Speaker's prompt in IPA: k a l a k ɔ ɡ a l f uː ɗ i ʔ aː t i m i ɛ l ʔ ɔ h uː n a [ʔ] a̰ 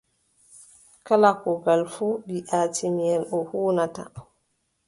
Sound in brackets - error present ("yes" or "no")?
yes